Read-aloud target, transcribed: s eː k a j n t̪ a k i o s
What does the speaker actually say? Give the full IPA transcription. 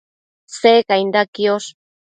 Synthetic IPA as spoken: s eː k a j n d̪ a k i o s